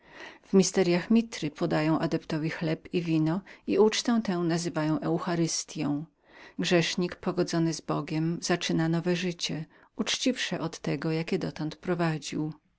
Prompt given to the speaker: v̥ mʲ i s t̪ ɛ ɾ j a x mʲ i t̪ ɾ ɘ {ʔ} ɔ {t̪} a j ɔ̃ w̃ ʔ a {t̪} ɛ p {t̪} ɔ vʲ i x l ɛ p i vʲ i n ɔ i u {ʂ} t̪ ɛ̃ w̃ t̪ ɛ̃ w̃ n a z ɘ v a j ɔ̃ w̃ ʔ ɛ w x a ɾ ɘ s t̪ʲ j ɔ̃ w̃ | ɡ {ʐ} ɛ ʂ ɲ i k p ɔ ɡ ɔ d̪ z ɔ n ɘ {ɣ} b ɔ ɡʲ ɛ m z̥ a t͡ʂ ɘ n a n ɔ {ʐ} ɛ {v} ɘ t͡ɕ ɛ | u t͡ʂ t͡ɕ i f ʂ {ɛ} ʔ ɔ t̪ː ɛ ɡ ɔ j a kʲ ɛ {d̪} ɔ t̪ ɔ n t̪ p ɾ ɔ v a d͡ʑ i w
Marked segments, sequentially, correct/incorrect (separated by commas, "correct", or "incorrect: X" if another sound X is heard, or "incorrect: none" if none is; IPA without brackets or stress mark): incorrect: p, incorrect: d̪, incorrect: d̪, correct, incorrect: t͡ʂ, correct, incorrect: z, incorrect: v, incorrect: ʐ, correct, correct